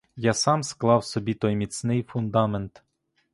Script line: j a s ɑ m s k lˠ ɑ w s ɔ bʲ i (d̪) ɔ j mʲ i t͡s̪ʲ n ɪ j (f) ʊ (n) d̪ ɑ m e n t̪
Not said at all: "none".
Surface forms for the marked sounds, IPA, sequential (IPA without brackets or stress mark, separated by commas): t̪, f, n